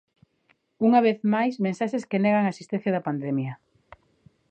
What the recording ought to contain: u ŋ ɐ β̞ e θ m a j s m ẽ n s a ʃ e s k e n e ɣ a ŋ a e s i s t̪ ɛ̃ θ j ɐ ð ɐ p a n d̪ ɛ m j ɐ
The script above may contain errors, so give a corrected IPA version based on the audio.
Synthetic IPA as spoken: u ŋ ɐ β̞ e θ m a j s m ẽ n s a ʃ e s k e n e ɣ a ŋ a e s i s t̪ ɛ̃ θ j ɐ ð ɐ p a n d̪ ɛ m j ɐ